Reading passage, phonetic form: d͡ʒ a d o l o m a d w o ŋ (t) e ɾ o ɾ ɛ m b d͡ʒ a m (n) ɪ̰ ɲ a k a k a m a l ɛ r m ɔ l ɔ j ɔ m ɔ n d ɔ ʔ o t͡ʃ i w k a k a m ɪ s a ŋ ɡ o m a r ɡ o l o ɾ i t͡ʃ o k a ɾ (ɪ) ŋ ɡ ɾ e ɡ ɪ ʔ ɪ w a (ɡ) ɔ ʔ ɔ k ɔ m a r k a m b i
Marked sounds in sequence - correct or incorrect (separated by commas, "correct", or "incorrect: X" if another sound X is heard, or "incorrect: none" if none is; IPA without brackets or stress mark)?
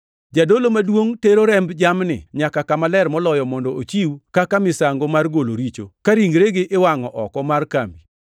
correct, correct, incorrect: i, incorrect: ŋ